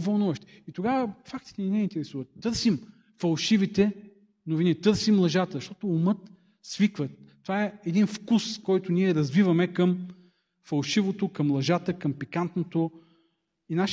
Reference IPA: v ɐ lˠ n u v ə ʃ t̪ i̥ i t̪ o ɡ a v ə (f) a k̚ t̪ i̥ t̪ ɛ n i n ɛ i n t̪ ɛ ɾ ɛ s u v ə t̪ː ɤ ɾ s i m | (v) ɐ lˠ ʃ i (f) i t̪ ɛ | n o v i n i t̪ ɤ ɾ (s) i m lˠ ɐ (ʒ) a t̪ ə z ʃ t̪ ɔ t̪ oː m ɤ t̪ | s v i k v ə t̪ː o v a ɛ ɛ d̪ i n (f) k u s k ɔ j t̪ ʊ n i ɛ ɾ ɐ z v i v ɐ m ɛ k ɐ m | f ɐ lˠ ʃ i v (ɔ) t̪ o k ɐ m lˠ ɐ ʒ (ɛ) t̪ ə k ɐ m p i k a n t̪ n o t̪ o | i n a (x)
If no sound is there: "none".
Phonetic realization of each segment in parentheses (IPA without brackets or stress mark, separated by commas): f, f, v, s, ʒ, f, o, a, ʃ